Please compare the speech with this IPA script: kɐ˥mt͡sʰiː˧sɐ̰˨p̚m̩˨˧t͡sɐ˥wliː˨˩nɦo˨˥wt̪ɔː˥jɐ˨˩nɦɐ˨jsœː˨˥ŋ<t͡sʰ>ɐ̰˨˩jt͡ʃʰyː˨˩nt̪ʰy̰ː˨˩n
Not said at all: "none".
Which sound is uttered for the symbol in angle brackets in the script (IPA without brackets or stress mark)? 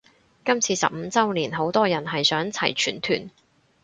t͡sʰ